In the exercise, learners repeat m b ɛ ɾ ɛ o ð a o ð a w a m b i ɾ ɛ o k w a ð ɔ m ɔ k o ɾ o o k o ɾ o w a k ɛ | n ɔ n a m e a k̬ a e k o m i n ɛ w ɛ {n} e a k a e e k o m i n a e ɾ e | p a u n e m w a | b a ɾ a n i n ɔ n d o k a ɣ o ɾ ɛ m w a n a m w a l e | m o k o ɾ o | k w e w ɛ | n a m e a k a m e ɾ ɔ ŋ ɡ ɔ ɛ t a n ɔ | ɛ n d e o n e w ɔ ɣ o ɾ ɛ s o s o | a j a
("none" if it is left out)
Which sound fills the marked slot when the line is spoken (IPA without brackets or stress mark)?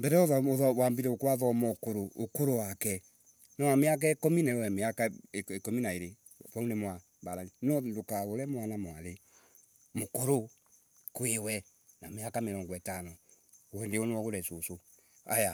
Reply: m